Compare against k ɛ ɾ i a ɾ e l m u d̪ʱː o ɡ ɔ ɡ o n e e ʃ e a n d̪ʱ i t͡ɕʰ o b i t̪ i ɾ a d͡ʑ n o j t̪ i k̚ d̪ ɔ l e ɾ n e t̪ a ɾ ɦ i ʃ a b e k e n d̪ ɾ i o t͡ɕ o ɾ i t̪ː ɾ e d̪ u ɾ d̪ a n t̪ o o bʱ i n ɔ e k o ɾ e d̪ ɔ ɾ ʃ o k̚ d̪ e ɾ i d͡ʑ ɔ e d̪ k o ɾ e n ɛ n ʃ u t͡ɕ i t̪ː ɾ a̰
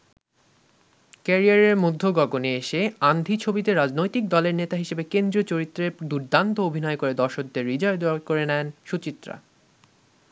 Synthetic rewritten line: k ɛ ɾ i a ɾ e ɾ m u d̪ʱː o ɡ ɔ ɡ o n e e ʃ e a n d̪ʱ i t͡ɕʰ o b i t̪ e ɾ a d͡ʑ n o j t̪ i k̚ d̪ ɔ l e ɾ n e t̪ a ɦ i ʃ e b e k e n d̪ ɾ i o t͡ɕ o ɾ i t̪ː ɾ e d̪ u ɾ d̪ a n t̪ o o bʱ i n ɔ e k o ɾ e d̪ ɔ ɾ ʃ o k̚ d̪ e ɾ i d͡ʑ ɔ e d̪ k o ɾ e n ɛ n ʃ u t͡ɕ i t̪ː ɾ a̰